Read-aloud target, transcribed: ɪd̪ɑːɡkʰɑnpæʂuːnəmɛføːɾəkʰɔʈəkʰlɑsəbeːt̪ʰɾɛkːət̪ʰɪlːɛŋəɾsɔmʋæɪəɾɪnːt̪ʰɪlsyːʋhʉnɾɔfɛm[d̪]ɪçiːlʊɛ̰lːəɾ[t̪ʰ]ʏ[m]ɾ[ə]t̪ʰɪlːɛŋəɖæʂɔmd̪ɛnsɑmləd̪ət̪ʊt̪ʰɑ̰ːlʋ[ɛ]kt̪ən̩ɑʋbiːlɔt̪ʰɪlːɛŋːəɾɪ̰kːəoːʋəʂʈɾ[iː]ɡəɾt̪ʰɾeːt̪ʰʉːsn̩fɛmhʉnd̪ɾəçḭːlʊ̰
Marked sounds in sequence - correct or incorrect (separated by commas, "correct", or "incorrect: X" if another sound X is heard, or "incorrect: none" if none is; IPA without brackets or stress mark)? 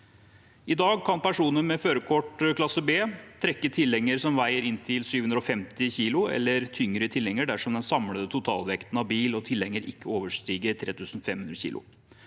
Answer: incorrect: t̪, correct, incorrect: ŋ, correct, correct, correct